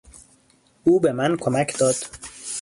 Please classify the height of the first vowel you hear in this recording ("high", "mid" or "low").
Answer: high